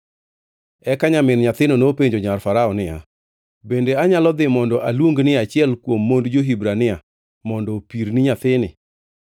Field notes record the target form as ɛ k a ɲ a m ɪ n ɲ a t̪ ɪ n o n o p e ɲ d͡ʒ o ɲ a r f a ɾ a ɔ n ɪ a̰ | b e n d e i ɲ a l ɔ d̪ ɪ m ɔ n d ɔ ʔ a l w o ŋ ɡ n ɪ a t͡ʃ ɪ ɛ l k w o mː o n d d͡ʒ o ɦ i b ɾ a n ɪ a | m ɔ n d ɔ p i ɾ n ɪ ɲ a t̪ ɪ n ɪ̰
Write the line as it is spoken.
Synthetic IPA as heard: ɛ k a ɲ a m ɪ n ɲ a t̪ ɪ n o n o p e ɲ d͡ʒ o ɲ a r f a ɾ a ɔ n ɪ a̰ | b e n d e a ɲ a l ɔ d̪ ɪ m ɔ n d ɔ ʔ a l w o ŋ ɡ n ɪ a t͡ʃ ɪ ɛ l k w o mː o n d d͡ʒ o ɦ i b ɾ a n ɪ a | m ɔ n d ɔ p i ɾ n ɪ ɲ a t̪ ɪ n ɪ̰